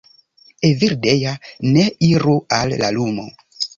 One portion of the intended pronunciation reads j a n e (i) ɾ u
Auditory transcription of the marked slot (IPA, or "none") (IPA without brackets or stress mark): i